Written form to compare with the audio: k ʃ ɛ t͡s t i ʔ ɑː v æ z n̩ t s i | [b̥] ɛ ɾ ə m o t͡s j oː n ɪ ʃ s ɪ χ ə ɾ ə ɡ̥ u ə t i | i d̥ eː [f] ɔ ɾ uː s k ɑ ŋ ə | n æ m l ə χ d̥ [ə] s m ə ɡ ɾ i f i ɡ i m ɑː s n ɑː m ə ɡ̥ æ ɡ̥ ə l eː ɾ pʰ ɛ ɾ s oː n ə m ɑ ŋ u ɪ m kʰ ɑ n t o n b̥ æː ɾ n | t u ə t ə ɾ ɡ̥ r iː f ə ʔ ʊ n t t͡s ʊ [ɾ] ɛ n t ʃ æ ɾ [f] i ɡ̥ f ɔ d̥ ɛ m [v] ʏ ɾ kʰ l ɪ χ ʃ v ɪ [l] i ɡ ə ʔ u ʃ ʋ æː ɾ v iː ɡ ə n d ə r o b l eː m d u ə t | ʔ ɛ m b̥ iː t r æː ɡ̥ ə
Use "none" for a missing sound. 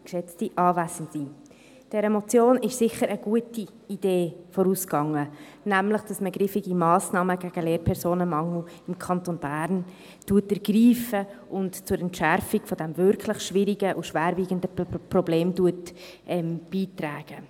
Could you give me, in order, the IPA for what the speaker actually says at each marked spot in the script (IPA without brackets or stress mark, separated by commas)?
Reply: d̥, f, ɑ, ɾ, f, v, ɾ